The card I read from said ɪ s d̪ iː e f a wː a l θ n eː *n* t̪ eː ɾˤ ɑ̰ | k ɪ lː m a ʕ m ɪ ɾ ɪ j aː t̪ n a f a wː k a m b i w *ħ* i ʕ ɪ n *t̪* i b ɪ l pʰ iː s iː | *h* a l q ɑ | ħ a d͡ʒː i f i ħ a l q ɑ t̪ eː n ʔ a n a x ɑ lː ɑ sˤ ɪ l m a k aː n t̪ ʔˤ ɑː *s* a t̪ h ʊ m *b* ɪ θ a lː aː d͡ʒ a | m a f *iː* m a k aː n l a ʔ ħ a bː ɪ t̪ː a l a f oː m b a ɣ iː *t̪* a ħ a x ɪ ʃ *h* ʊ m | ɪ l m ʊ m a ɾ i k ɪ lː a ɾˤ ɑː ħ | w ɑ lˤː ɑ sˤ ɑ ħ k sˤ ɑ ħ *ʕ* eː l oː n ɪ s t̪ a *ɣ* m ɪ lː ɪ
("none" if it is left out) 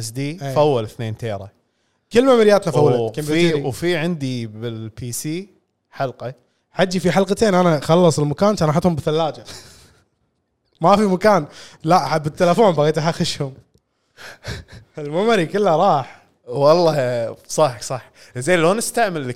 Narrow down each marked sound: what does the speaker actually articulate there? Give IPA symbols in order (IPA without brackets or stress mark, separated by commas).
n, f, d̪, ħ, ħ, b, i, t̪, h, z, ʕ